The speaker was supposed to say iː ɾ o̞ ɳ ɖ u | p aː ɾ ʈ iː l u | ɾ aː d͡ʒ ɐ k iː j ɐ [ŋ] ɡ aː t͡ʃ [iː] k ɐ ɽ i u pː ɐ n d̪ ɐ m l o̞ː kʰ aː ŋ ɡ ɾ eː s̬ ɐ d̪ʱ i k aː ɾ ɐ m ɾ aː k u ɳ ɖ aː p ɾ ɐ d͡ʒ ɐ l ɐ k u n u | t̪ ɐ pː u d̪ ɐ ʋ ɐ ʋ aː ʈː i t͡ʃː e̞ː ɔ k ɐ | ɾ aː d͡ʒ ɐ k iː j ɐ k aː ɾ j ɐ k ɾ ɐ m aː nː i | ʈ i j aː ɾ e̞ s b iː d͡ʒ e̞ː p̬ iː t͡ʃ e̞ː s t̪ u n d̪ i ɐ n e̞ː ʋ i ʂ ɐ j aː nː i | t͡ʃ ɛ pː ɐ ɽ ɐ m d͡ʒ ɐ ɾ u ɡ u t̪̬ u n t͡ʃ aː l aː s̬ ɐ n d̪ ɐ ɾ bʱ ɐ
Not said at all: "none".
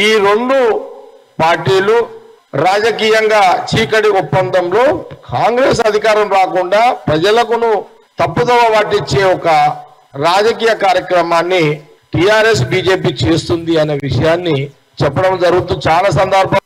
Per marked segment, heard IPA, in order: ŋ, iː

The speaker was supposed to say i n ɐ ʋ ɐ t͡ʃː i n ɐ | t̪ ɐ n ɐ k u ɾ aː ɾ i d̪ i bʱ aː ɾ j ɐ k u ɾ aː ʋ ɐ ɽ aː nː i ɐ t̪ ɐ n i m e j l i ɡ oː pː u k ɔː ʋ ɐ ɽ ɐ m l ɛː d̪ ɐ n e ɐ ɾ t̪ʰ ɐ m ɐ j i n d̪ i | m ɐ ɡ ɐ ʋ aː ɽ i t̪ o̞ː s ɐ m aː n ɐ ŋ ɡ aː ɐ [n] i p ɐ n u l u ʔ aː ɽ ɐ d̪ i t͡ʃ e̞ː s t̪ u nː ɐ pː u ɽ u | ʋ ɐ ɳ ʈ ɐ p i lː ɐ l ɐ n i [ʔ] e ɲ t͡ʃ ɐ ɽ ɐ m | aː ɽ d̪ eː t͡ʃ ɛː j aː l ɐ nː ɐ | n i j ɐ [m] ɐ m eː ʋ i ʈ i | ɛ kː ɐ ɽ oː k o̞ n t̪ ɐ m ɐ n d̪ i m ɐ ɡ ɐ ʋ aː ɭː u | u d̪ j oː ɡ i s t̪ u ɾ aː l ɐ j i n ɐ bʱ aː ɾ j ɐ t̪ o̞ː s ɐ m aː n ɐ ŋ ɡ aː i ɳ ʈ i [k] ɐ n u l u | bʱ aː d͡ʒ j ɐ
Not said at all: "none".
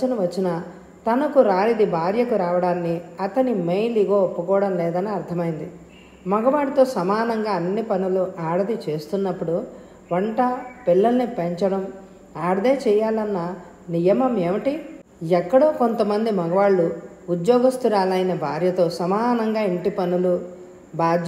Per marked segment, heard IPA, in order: nː, p, m, p

